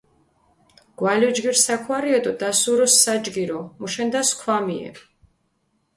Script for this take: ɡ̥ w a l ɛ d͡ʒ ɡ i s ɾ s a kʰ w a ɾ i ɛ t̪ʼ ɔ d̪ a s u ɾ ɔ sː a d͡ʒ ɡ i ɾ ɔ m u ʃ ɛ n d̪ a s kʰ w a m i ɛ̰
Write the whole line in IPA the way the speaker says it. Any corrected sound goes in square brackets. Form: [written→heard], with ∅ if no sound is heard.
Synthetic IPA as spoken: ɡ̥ w a l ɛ d͡ʒ ɡ i [s→∅] ɾ s a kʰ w a ɾ i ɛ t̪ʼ ɔ d̪ a s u ɾ ɔ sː a d͡ʒ ɡ i ɾ ɔ m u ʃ ɛ n d̪ a s kʰ w a m i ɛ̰

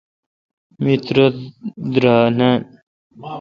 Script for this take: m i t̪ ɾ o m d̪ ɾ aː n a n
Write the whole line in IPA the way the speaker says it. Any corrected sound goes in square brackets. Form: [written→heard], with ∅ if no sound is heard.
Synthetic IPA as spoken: m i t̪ ɾ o [m→∅] d̪ ɾ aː n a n

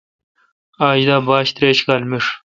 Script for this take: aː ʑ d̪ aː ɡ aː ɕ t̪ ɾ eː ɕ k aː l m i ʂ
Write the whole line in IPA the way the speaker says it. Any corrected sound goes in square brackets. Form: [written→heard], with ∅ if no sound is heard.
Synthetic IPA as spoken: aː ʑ d̪ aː [ɡ→b] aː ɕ t̪ ɾ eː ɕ k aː l m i ʂ

